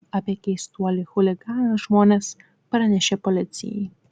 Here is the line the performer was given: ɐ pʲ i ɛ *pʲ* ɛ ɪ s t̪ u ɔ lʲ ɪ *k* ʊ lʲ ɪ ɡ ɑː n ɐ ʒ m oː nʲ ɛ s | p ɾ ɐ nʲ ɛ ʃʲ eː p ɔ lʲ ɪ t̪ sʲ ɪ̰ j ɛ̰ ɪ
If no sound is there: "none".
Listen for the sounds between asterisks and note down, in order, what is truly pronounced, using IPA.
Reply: kʲ, x

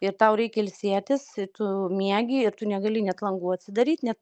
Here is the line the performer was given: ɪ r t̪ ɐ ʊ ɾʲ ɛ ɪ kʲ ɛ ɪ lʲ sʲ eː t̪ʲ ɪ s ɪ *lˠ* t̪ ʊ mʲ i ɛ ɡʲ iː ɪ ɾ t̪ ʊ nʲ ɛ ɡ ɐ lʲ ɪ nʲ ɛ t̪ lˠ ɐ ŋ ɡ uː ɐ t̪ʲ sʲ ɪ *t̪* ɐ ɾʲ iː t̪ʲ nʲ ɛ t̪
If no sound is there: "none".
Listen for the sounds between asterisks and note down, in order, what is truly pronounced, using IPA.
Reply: none, d̪

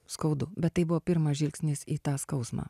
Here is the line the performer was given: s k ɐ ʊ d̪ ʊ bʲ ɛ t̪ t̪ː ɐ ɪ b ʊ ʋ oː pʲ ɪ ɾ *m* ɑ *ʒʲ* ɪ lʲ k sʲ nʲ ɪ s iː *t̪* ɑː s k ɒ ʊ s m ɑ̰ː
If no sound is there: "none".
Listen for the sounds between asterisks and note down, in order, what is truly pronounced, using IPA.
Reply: m, ʒʲ, t̪

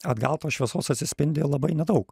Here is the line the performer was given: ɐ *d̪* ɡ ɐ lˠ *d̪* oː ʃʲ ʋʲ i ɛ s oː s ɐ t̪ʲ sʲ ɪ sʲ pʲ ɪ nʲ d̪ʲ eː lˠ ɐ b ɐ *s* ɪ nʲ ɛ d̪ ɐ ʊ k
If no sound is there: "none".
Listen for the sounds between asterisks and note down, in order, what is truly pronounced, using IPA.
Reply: d̪, t̪, none

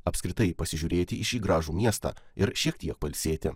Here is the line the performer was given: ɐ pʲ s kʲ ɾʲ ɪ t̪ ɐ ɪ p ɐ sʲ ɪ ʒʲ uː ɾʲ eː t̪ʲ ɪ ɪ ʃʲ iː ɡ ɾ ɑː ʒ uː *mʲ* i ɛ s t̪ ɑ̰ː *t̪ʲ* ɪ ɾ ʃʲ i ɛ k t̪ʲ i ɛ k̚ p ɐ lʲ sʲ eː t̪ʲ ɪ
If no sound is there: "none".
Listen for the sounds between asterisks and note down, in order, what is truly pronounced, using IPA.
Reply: mʲ, none

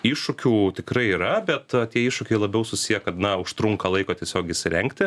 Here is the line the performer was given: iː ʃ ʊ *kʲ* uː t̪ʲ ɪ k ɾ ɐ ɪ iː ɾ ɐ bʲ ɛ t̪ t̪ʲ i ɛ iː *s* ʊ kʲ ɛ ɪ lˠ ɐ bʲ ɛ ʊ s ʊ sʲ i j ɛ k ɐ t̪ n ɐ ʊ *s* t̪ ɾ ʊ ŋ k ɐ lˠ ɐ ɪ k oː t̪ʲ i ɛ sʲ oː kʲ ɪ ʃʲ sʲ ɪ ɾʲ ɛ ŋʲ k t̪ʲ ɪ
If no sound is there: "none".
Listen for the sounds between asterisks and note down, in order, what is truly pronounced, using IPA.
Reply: kʲ, ʃ, ʃ

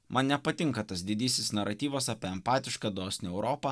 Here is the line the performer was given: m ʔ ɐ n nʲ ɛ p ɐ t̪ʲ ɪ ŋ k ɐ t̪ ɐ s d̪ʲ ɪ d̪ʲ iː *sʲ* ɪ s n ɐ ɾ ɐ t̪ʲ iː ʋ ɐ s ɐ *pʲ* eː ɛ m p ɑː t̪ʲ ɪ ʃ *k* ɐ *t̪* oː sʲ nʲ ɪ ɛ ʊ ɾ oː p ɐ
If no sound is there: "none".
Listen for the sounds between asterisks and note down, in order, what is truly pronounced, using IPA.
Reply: sʲ, pʲ, k, d̪

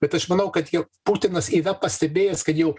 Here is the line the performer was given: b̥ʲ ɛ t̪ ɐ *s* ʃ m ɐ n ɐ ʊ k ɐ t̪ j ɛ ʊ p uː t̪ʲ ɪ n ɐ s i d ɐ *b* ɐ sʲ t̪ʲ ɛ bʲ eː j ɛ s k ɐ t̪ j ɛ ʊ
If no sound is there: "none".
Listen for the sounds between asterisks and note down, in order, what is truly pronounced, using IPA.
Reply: none, p

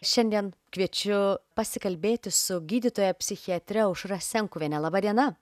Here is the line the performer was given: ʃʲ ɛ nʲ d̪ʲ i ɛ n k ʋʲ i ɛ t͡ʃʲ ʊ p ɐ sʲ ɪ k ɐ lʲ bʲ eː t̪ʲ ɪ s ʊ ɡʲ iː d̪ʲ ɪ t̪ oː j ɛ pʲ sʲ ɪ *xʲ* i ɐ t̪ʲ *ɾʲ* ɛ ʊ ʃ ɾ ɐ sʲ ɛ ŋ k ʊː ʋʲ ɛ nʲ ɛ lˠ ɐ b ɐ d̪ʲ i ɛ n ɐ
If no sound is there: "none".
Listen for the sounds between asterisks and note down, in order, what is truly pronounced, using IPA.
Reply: xʲ, ɾʲ

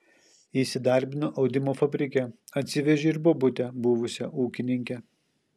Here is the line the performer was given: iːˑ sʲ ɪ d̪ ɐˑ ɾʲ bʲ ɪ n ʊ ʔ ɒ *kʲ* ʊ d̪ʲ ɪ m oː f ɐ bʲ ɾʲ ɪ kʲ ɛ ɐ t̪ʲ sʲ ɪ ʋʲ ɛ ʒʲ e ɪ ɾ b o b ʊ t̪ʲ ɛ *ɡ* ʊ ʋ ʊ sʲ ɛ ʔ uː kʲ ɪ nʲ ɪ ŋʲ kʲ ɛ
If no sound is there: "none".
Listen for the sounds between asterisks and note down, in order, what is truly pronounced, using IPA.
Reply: none, b

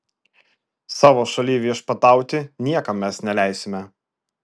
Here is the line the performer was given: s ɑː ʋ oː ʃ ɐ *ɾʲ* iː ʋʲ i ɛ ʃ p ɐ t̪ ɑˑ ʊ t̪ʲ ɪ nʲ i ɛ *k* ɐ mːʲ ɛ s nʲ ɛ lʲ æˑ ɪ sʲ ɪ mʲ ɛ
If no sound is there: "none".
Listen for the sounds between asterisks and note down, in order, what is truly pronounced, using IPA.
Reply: lʲ, k

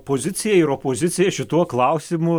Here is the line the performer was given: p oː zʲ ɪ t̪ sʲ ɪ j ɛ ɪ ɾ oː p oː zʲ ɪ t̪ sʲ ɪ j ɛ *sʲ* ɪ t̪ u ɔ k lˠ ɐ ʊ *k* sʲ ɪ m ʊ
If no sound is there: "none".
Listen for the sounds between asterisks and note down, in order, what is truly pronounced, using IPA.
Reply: ʃʲ, none

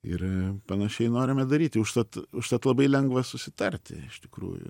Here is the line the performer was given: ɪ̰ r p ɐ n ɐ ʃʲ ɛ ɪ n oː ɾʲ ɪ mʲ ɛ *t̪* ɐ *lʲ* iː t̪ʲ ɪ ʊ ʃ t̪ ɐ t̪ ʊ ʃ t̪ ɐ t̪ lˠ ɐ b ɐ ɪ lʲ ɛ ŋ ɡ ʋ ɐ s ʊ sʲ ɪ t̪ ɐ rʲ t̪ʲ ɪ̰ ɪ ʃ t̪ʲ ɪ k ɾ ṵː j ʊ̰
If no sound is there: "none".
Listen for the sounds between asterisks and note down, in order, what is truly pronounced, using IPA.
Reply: d̪, ɾʲ

